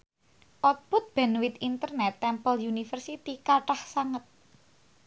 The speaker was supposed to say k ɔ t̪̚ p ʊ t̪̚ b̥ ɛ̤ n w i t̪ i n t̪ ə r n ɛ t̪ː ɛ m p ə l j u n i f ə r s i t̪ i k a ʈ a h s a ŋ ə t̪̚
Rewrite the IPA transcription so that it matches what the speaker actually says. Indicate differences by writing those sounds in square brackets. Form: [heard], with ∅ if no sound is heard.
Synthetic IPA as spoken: [ʔ] ɔ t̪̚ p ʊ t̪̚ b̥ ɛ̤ n w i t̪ i n t̪ ə r n ɛ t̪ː ɛ m p ə l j u n i f ə r s i t̪ i k a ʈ a h s a ŋ ə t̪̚